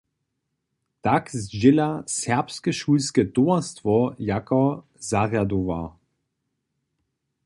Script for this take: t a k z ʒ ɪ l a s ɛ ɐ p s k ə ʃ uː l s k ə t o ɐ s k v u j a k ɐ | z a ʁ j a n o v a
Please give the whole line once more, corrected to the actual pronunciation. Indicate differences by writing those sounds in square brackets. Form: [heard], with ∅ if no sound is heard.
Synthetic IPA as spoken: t a k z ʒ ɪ l a s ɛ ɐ p s k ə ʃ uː l s k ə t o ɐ s [t] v [ɔ] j a k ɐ | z a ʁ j a [d] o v a